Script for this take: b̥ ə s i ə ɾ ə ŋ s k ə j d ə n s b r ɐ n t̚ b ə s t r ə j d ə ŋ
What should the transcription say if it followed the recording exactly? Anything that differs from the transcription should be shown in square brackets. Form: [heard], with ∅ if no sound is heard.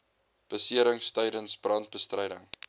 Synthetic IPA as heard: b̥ ə s i ə ɾ ə ŋ s [t] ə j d ə n s b r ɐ n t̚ b ə s t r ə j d ə ŋ